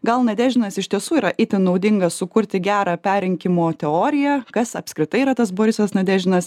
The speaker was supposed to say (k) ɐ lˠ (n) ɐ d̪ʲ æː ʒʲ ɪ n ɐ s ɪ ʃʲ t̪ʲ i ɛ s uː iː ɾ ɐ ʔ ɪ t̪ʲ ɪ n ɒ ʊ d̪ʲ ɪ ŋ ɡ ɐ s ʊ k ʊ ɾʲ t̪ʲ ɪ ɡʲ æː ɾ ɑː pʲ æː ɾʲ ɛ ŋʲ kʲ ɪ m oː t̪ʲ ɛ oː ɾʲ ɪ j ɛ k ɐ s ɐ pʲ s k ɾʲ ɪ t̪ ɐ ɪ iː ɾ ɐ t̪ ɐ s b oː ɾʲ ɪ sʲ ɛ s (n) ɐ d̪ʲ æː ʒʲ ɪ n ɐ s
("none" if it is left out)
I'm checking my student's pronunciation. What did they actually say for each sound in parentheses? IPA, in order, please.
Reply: ɡ, n, n

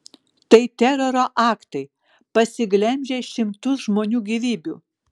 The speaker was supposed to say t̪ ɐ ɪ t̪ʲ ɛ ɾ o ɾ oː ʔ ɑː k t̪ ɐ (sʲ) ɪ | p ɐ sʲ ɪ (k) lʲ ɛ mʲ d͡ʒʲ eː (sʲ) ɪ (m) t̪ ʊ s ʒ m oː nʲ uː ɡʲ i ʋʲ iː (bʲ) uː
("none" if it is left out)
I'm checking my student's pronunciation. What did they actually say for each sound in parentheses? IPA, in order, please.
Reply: none, ɡ, ʃʲ, m, bʲ

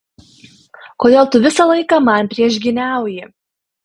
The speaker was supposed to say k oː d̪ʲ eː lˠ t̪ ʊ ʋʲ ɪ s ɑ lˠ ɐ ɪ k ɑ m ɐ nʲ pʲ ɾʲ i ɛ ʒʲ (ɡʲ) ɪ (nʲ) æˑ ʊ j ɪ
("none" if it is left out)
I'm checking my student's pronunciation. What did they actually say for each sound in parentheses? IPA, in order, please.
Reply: ɡʲ, nʲ

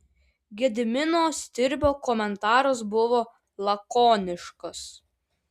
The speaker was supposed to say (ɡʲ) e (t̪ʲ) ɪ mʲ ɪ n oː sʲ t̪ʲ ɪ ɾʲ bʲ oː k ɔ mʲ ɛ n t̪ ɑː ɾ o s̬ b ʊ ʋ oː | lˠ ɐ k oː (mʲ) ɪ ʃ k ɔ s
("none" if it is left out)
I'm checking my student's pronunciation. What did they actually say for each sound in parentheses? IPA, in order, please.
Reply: ɡʲ, d̪ʲ, nʲ

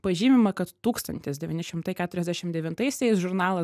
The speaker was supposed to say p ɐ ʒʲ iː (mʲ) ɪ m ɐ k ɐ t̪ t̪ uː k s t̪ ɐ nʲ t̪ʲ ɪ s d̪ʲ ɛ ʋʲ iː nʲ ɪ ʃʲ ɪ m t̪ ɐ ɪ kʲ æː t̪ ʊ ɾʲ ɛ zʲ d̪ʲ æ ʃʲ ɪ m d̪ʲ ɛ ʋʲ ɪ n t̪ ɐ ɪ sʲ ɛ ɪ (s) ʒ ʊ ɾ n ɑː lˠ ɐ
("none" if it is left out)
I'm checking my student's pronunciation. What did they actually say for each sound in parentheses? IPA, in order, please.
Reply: mʲ, s

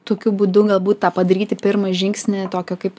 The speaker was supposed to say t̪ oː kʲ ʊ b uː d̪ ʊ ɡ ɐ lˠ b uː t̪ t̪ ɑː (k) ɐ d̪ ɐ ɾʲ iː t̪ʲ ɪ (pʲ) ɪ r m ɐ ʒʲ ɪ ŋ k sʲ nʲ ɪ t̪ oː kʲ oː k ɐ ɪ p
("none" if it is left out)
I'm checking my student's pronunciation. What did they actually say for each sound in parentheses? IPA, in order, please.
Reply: p, pʲ

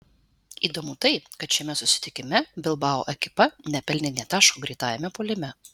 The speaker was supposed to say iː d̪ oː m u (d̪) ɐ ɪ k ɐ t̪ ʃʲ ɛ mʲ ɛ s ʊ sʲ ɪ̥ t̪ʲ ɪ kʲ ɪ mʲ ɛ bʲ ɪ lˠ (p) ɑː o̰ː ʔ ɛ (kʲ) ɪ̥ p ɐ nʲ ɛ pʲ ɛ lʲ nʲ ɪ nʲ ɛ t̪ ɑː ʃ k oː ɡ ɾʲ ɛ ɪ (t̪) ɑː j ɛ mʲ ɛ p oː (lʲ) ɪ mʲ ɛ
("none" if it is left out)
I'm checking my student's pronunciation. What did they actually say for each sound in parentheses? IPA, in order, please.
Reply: t̪, b, kʲ, t̪, lʲ

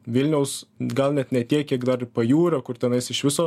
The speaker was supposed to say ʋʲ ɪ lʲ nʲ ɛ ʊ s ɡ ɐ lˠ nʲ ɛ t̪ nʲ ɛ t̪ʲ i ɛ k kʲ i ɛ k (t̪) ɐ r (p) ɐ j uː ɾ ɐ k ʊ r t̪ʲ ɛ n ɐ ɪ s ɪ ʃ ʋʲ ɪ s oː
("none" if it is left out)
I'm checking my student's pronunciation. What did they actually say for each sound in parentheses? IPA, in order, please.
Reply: d̪, p

